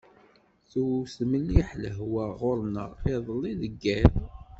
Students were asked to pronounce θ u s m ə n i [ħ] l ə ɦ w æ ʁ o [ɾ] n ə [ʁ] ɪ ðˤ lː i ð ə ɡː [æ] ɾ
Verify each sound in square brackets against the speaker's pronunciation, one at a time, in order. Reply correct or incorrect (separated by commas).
correct, correct, correct, correct